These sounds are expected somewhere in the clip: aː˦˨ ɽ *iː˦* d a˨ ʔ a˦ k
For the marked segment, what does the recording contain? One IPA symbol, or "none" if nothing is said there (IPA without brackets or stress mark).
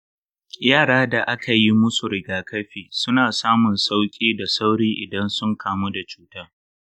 aː˦